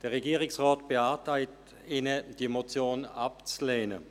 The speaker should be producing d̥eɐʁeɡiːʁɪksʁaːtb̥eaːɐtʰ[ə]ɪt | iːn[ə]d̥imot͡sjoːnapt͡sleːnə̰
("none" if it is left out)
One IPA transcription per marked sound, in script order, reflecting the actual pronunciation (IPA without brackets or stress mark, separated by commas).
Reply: a, ə